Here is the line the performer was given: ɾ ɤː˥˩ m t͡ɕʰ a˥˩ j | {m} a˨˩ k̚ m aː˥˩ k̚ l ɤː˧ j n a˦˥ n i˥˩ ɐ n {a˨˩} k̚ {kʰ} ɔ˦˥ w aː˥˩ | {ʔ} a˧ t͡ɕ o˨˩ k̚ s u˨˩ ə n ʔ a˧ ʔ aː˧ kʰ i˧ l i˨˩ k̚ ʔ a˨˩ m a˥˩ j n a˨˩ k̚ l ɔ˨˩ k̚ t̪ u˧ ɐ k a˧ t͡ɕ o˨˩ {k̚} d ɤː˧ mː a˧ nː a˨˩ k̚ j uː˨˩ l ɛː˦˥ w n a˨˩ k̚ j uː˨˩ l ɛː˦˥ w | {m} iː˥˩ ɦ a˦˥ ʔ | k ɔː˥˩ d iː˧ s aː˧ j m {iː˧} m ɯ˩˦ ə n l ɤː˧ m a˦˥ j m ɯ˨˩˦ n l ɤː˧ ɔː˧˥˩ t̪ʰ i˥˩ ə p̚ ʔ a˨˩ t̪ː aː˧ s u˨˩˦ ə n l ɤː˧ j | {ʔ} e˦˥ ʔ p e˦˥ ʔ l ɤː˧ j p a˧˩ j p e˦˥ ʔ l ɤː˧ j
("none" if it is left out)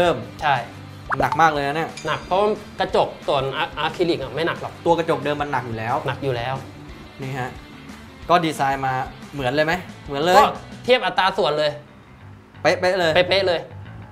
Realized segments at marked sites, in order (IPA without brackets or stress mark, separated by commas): n, a˨˩, pʰ, k, k̚, n, aː˧, p